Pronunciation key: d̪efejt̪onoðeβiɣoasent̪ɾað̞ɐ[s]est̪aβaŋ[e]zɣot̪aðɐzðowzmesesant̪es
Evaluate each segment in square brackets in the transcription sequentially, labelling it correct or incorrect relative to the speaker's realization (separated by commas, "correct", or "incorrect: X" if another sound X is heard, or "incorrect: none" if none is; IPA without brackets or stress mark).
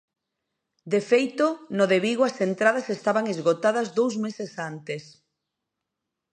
correct, correct